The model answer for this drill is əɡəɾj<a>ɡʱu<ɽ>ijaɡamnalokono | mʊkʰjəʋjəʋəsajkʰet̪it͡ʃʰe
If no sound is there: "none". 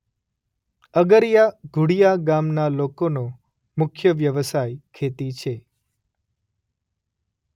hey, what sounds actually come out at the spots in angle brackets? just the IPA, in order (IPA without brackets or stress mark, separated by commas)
a, ɽ